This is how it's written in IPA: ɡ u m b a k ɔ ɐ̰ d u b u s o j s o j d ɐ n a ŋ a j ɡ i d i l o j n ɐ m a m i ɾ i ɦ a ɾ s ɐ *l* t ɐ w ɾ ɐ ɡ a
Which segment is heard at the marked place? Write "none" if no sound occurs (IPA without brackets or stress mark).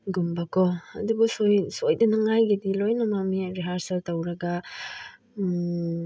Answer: l